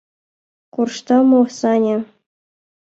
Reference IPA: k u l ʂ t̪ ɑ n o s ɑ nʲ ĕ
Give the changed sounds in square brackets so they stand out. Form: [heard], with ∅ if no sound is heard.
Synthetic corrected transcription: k u [r] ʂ t̪ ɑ [m] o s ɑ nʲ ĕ